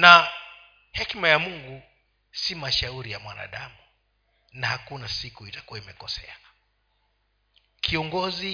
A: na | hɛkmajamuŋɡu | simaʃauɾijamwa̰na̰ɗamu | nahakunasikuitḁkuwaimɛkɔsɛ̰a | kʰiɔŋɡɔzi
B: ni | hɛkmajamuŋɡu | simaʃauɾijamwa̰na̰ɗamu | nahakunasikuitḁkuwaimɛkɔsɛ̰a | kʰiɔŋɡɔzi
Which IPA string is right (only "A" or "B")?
A